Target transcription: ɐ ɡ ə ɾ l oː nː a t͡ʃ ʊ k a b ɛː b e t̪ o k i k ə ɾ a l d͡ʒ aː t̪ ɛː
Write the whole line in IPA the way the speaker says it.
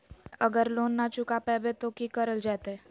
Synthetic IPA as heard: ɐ ɡ ə ɾ l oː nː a t͡ʃ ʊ k a p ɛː b e t̪ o k i k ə ɾ ə l d͡ʒ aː t̪ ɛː